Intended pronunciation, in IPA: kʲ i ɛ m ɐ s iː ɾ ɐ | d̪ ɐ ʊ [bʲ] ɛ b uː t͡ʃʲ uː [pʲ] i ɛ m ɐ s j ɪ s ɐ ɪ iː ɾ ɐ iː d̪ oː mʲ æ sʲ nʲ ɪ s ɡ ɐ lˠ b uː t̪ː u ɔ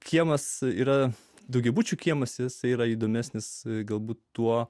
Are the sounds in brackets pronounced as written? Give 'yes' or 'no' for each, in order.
no, no

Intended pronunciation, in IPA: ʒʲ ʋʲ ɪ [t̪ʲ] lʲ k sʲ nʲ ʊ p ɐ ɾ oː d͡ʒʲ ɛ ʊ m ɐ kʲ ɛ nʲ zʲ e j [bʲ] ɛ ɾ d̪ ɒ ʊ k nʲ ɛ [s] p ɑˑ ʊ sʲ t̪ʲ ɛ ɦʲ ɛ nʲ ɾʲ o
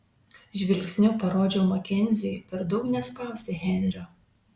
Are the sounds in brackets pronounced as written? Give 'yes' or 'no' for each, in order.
no, no, yes

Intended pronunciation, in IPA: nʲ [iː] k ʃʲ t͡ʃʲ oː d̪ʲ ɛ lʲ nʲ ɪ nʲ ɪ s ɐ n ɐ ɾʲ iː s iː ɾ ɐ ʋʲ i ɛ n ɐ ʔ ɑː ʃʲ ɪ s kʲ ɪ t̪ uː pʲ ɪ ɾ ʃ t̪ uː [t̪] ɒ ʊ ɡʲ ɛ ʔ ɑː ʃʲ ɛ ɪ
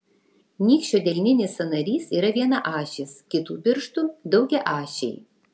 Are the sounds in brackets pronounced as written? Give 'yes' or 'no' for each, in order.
yes, no

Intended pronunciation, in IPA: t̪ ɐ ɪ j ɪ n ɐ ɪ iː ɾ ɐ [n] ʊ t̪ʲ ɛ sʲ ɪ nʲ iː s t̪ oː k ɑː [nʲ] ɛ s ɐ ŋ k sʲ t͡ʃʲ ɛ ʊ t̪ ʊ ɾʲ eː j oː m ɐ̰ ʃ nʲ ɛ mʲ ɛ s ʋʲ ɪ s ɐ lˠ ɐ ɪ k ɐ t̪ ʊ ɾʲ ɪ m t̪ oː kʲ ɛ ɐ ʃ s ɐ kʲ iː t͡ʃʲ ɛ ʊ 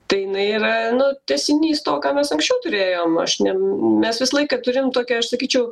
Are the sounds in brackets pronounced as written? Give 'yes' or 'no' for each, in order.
yes, no

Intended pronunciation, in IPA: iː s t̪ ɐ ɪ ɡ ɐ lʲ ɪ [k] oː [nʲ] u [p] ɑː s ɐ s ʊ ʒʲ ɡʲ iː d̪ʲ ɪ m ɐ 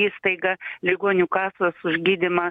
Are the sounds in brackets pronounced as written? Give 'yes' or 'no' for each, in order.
no, yes, no

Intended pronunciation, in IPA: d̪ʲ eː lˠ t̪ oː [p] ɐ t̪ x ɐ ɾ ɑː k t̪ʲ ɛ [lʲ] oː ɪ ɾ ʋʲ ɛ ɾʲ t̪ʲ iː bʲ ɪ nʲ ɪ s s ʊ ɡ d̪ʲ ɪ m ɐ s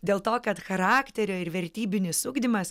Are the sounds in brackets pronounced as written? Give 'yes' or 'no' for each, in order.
no, no

